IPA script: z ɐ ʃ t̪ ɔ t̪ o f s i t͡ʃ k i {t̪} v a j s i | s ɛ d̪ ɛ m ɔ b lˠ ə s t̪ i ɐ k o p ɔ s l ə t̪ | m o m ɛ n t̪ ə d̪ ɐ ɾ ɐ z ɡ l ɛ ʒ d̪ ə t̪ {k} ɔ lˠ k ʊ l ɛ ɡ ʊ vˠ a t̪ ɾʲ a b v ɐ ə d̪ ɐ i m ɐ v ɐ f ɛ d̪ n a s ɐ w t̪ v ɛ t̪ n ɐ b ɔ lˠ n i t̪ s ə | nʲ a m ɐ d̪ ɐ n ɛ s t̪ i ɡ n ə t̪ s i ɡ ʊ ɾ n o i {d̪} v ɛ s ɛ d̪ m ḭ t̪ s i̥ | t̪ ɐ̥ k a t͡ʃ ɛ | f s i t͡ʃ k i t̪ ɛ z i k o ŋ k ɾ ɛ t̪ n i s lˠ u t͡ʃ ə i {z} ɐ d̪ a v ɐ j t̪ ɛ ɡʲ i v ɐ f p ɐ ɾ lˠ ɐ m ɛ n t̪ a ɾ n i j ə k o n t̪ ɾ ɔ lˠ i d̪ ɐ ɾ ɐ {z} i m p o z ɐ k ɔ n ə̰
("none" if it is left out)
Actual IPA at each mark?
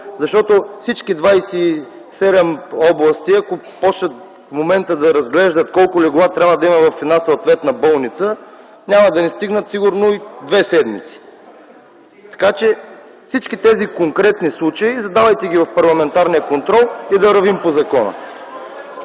d̪, k, d̪, z, v

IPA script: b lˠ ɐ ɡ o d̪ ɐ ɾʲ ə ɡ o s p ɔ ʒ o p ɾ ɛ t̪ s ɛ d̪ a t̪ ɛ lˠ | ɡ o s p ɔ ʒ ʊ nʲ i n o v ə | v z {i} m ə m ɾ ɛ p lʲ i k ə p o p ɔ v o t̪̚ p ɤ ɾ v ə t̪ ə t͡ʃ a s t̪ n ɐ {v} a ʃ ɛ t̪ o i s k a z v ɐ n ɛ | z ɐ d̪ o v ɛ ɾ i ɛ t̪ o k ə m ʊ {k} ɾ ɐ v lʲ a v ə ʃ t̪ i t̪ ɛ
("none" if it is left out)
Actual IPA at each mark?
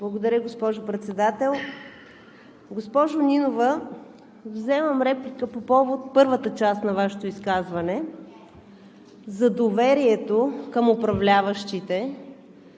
ɛ, v, p

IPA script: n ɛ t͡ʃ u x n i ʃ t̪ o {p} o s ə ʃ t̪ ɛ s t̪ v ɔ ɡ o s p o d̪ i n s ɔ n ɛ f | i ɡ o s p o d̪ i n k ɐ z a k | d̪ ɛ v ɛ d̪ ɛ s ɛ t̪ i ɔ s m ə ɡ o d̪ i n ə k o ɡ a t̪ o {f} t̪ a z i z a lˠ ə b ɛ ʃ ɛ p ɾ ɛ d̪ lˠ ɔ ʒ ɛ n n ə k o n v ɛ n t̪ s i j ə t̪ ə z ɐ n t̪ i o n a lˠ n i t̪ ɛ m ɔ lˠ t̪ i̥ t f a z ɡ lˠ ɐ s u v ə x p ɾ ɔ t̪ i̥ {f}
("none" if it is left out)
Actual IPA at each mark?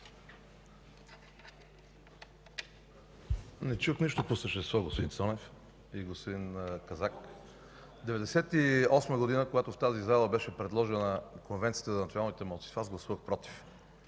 p, f, f

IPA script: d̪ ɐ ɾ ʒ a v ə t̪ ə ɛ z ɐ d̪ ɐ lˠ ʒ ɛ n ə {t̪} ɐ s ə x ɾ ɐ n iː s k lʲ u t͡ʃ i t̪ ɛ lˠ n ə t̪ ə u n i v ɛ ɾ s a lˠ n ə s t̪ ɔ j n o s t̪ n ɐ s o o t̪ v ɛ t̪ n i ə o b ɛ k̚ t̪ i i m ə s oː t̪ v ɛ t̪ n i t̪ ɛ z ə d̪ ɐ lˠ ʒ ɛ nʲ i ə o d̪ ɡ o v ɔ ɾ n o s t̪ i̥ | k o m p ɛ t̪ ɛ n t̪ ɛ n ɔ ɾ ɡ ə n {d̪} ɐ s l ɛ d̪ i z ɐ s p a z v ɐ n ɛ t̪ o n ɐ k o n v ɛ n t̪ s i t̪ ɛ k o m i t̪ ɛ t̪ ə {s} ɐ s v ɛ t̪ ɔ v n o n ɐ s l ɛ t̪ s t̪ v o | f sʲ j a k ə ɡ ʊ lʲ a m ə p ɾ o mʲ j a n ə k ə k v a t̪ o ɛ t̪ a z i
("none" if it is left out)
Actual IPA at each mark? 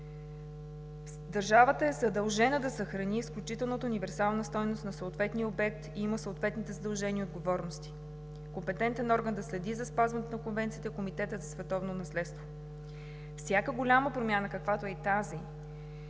d̪, d̪, z

